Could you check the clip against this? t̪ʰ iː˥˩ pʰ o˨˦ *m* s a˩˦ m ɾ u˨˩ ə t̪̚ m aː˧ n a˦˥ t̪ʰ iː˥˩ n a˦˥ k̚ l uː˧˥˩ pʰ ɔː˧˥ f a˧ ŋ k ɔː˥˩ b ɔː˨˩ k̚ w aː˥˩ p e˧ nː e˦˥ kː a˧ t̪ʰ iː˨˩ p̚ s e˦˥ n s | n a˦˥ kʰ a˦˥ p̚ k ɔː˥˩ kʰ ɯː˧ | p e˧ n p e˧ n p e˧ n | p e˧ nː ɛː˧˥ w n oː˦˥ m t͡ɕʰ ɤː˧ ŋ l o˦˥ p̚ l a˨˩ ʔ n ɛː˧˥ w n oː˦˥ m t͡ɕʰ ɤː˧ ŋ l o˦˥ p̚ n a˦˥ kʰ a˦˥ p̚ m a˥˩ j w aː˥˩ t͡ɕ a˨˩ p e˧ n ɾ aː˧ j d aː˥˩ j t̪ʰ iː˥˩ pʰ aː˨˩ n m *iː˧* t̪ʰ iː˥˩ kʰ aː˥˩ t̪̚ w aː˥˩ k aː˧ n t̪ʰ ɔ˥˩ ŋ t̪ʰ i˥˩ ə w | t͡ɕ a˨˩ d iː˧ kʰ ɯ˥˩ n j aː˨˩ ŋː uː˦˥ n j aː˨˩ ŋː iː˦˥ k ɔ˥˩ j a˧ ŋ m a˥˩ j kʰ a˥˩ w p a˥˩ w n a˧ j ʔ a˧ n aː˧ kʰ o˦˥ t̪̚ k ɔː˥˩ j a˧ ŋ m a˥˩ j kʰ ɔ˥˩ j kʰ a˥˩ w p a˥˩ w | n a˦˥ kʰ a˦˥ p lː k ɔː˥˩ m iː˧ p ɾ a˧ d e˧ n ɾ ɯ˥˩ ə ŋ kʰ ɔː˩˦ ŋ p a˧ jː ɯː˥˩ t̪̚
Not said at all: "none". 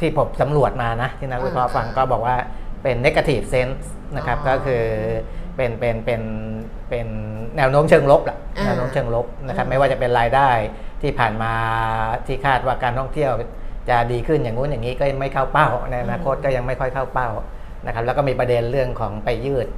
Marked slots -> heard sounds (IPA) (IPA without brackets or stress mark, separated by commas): m, aː˧